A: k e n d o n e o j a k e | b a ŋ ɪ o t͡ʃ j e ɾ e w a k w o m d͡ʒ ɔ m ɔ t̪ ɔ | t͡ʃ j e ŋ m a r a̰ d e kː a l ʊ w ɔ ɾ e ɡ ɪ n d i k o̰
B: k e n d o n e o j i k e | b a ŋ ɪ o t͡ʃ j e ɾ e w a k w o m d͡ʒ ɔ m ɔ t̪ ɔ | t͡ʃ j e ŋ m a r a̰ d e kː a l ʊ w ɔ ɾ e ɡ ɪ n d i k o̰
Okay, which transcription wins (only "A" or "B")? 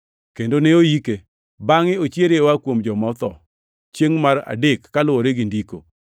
B